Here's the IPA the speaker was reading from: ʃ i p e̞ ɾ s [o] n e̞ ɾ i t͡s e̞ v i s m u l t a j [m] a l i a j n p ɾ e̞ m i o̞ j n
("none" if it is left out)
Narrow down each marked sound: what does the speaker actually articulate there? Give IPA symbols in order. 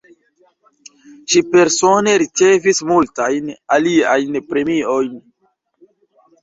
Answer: o, n

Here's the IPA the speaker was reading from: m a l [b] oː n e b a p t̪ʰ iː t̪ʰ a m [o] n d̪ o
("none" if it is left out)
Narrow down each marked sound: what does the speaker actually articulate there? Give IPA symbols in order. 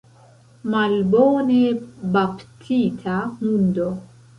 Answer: b, u

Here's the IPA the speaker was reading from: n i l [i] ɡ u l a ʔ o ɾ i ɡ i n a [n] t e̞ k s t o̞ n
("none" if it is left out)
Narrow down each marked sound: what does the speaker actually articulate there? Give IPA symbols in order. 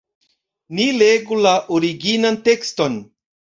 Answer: e, n

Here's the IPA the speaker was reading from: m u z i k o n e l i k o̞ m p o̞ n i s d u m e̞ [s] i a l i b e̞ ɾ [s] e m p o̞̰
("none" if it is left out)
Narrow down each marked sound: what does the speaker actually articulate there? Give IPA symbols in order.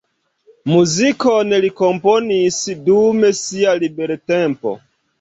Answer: s, t

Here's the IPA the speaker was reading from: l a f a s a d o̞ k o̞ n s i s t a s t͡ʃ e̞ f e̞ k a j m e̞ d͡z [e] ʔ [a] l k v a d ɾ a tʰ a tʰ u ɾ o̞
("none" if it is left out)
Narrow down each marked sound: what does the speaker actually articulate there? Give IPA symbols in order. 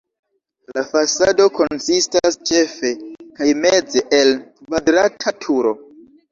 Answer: e, e

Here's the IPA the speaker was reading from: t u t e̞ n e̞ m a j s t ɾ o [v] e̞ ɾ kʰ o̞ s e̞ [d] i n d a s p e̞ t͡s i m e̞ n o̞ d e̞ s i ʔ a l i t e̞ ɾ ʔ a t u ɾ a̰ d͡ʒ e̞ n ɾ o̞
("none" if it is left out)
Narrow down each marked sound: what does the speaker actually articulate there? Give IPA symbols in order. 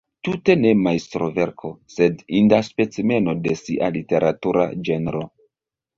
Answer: v, d

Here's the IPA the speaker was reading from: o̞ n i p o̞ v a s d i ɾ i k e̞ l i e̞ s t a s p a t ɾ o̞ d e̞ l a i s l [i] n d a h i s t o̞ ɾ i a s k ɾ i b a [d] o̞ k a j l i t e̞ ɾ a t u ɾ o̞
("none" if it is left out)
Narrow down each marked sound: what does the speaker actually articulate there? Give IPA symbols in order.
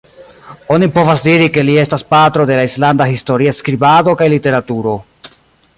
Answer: a, d

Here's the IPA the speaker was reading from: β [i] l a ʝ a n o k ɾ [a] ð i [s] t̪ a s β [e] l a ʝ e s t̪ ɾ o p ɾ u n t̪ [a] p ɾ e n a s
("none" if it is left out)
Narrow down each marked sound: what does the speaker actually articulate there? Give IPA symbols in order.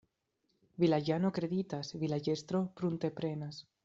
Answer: i, e, none, i, e

